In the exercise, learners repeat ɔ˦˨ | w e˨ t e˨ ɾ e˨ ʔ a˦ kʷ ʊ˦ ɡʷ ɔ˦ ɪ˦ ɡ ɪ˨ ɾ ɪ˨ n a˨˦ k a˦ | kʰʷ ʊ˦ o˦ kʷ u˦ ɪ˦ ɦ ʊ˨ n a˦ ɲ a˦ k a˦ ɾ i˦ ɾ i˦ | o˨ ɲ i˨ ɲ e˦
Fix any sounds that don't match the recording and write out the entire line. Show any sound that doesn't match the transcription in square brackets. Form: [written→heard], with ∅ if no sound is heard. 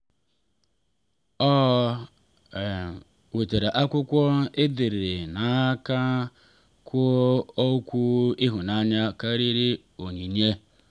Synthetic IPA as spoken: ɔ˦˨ | w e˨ t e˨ ɾ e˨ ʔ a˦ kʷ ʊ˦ [ɡʷ→kʷ] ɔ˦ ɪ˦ [ɡ→d] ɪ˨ ɾ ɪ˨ n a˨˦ k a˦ | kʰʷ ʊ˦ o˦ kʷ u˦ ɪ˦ ɦ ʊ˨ n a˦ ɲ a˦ k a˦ ɾ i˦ ɾ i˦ | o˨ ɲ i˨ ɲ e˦

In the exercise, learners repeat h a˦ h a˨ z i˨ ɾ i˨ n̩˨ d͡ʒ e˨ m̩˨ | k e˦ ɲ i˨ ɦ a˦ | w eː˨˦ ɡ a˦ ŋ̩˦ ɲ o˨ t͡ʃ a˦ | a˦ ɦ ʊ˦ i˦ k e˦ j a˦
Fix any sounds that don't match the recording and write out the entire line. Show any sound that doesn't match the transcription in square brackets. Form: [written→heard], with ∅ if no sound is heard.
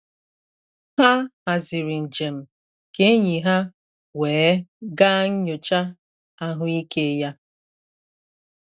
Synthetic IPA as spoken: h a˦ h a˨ z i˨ ɾ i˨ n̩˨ d͡ʒ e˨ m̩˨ | k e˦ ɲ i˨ ɦ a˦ | w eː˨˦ ɡ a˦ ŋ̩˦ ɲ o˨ t͡ʃ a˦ | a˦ ɦ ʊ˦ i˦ k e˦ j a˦

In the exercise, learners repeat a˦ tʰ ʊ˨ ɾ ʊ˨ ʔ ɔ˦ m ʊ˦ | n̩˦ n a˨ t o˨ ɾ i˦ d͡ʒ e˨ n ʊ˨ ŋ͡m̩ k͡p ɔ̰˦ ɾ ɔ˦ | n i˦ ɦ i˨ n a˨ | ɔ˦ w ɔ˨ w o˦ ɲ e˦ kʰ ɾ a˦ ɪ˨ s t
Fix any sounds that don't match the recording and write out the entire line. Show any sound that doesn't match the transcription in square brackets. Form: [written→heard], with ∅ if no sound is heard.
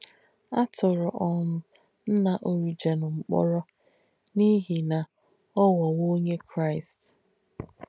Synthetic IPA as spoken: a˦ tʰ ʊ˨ ɾ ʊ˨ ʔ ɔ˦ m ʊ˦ | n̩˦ n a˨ [t→ʔ] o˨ ɾ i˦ d͡ʒ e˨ n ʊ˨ ŋ͡m̩ k͡p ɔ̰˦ ɾ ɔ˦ | n i˦ ɦ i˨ n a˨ | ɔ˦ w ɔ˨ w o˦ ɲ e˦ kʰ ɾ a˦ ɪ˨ s t

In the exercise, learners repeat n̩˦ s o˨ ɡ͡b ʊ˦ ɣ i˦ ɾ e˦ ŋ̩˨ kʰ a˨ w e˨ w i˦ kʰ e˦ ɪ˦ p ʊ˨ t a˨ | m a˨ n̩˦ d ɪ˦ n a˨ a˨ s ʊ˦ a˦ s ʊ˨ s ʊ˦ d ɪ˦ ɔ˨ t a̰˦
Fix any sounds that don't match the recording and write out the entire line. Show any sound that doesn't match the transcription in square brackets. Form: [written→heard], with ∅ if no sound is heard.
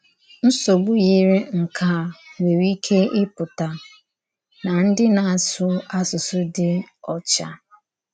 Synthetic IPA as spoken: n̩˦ s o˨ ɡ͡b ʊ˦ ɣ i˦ ɾ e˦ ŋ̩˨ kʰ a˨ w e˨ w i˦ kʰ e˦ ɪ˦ p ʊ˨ t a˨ | [m→n] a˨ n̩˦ d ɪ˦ n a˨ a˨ s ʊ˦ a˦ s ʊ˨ s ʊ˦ d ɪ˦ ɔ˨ [t→t͡ʃ] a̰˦

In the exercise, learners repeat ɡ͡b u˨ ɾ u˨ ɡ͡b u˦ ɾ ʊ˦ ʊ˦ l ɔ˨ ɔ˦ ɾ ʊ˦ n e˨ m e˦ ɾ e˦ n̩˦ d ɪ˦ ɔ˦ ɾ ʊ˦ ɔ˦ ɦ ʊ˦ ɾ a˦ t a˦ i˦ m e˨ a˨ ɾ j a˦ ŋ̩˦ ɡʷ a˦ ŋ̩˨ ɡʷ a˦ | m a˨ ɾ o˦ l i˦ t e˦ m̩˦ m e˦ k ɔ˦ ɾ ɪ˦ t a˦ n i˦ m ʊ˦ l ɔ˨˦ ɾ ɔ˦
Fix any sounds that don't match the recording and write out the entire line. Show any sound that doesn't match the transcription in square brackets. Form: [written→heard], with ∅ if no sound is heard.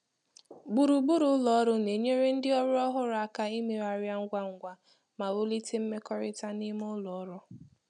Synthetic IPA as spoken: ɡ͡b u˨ ɾ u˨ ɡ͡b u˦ ɾ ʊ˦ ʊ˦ l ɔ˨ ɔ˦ ɾ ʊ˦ n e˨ [m→ɲ] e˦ ɾ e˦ n̩˦ d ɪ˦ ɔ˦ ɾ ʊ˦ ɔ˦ ɦ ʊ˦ ɾ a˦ [t→k] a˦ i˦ m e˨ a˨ ɾ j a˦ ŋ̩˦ ɡʷ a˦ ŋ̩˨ ɡʷ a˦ | m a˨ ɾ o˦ l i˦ t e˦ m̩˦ m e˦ k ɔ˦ ɾ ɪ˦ t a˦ n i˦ m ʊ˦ l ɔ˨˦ ɾ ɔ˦

